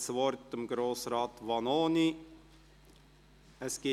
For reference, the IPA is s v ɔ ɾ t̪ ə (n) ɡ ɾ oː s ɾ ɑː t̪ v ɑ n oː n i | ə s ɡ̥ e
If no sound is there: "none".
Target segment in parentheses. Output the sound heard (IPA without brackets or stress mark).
m